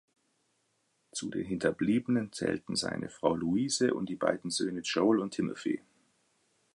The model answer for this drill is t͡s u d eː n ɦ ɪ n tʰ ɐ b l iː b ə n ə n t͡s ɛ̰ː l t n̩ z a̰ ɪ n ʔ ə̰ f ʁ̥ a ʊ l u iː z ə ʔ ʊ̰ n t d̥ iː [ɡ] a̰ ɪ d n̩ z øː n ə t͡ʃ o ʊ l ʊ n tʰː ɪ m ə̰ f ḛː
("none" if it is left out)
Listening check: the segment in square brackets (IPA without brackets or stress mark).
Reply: b